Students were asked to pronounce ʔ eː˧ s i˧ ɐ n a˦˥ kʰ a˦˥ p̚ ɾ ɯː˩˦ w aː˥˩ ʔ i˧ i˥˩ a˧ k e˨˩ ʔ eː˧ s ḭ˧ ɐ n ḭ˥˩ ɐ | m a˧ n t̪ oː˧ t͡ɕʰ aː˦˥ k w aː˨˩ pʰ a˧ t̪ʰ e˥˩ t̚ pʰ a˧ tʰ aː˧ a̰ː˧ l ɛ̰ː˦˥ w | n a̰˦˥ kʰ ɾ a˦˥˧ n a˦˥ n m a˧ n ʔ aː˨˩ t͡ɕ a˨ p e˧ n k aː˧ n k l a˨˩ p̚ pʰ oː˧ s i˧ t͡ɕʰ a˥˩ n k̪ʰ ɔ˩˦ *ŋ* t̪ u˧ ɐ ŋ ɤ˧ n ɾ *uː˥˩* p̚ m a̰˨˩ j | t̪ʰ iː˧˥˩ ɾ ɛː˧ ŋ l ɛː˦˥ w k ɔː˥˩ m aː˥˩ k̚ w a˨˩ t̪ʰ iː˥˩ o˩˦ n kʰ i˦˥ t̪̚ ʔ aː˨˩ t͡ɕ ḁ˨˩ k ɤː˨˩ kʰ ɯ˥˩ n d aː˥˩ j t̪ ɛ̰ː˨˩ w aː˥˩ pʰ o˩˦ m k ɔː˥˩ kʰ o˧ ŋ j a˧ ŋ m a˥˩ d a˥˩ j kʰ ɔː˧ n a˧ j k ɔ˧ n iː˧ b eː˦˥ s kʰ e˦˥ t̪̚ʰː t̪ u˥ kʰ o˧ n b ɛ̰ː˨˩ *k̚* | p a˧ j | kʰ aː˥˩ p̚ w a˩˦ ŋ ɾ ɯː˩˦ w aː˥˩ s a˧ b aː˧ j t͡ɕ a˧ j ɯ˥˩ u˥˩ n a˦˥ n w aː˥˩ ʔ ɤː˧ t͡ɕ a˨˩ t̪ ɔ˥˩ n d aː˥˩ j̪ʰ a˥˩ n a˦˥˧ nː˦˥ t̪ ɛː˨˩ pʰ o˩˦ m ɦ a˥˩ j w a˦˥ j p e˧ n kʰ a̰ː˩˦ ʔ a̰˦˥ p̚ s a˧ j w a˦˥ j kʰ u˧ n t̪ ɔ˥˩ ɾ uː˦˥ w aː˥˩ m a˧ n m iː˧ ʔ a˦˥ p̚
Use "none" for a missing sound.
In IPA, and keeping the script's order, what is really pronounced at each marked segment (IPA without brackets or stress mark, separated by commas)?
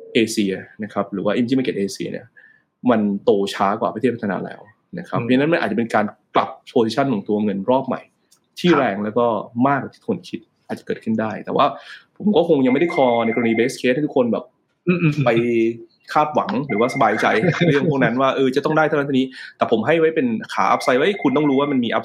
ŋ, ɔː˥˩, p̚